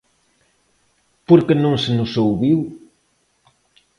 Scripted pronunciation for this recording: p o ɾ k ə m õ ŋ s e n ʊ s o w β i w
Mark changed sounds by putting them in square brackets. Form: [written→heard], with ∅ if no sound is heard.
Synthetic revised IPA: p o ɾ k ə [m→n] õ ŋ s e n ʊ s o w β i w